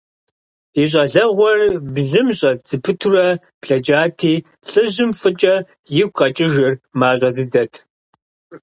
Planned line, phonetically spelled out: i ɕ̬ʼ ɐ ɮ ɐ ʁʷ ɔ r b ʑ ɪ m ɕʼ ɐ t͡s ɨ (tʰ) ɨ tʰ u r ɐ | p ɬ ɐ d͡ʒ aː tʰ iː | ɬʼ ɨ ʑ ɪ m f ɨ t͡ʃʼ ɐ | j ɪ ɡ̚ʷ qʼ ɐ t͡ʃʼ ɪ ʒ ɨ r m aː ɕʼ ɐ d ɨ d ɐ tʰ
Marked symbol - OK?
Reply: no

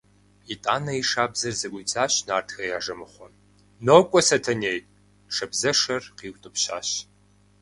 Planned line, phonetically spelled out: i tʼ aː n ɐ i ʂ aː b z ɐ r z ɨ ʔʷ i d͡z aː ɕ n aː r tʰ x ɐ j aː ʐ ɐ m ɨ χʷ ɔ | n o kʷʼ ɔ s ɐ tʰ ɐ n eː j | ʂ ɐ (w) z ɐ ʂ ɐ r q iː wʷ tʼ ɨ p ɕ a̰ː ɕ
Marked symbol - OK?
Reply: no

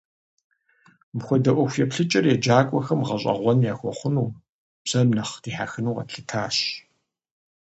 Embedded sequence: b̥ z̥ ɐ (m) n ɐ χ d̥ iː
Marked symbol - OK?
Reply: yes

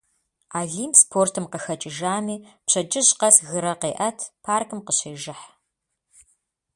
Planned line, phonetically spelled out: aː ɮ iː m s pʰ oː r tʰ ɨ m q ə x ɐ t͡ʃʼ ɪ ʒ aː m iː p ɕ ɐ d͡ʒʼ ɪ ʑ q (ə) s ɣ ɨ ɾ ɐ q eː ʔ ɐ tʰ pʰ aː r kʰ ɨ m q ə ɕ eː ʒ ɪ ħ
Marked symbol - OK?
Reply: no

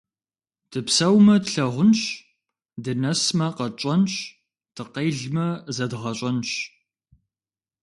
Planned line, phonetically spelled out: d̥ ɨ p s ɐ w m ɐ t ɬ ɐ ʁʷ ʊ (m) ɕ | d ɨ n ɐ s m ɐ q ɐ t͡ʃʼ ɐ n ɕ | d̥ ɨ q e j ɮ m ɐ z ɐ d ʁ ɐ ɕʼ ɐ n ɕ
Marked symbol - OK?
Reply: no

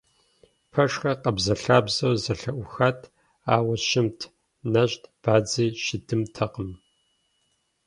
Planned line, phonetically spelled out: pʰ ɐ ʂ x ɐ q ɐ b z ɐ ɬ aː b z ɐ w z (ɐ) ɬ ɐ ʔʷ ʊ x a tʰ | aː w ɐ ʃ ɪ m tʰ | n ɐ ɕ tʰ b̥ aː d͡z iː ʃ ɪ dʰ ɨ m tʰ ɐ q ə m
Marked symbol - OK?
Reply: yes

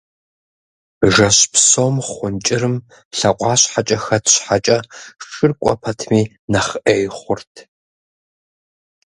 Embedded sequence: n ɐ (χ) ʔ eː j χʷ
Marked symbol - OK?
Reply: yes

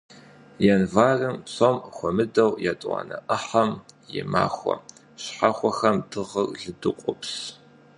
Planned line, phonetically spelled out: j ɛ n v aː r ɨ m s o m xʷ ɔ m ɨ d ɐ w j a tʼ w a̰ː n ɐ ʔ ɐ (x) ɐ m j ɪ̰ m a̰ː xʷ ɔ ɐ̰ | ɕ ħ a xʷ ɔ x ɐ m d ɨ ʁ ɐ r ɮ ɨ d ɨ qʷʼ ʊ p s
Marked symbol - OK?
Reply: no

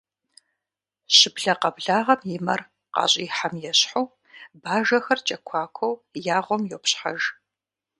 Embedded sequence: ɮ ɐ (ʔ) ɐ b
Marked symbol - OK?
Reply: no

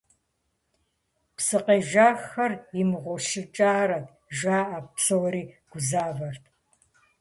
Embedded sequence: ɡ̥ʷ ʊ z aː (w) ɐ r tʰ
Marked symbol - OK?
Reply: no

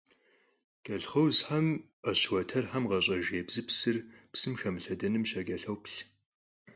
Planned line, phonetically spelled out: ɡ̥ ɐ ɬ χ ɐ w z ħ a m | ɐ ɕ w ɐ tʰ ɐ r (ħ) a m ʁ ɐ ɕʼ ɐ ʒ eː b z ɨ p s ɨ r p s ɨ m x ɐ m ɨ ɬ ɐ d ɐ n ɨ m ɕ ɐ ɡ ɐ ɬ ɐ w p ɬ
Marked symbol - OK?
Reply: yes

